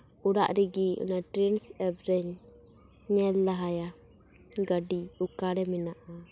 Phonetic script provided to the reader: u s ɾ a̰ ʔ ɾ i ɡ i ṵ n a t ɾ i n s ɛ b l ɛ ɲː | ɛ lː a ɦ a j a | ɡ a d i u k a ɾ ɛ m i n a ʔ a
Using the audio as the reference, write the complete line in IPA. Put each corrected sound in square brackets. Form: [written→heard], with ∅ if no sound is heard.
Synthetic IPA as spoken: u [s→∅] ɾ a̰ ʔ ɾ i ɡ i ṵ n a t ɾ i n s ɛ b [l→ɾ] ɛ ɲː | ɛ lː a ɦ a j a | ɡ a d i u k a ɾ ɛ m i n a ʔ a